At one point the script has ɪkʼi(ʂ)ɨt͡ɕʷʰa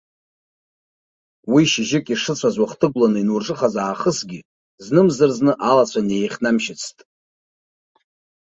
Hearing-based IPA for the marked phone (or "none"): ʂ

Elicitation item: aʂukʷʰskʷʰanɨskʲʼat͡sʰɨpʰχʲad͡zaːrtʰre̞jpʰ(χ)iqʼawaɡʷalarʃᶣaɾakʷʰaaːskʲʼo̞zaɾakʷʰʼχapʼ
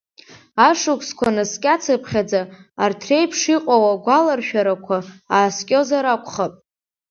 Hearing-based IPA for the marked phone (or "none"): ʂ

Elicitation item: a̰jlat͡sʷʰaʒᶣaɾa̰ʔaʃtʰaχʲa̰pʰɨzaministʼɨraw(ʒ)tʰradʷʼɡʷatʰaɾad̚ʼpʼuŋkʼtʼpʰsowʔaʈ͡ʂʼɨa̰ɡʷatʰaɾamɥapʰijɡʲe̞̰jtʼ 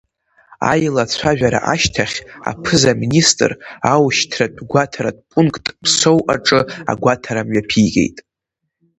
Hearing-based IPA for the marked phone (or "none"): ʃ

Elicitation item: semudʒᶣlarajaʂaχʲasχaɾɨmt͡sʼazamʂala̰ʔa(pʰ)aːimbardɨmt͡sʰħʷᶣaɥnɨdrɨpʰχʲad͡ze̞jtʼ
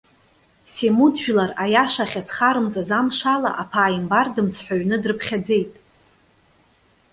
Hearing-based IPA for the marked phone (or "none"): pʰ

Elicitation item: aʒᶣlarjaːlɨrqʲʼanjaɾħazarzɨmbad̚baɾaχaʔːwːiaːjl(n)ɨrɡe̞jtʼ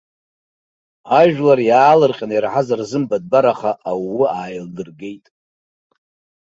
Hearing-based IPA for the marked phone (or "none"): d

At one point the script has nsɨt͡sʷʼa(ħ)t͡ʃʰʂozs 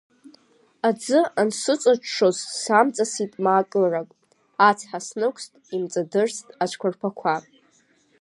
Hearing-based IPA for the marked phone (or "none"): none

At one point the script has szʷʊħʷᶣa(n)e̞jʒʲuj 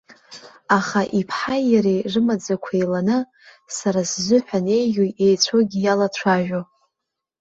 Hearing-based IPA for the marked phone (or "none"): n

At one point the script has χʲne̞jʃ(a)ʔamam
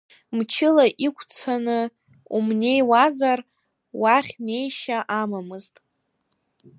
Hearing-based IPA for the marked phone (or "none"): a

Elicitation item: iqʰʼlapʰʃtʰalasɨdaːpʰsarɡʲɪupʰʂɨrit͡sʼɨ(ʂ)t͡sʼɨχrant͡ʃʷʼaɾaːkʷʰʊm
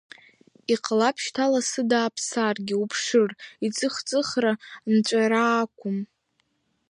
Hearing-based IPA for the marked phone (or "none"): χ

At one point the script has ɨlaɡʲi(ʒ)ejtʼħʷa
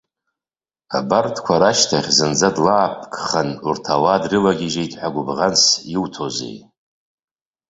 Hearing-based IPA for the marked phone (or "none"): ʒ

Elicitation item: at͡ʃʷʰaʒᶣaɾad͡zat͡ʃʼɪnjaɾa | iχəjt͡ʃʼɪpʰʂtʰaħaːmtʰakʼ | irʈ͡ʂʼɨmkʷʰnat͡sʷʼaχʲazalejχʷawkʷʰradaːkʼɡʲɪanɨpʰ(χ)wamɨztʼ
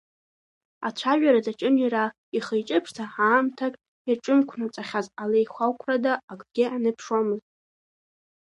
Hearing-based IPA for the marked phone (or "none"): ʂ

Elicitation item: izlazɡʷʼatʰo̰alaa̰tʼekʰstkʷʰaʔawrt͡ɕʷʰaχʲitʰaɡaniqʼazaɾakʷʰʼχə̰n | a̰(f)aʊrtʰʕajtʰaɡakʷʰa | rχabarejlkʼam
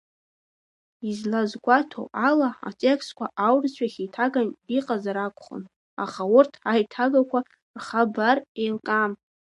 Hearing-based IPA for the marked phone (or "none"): χ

